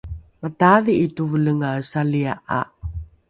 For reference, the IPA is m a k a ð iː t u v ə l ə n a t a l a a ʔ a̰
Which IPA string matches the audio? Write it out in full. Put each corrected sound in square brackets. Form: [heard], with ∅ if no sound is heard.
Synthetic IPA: m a [t] a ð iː t u v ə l ə [ŋ] a [s] a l [i] a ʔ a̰